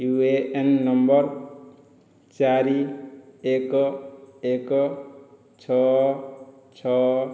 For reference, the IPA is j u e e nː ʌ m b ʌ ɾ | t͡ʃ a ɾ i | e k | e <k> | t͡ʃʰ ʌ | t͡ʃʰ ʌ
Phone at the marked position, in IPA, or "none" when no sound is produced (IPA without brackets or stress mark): k